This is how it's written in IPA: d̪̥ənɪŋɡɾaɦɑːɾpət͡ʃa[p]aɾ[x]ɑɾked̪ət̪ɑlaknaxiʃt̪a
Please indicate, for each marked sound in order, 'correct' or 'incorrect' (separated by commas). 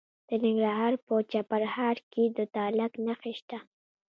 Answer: correct, incorrect